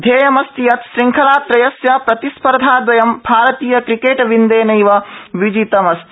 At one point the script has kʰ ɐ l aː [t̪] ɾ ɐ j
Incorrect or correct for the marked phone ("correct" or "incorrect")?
correct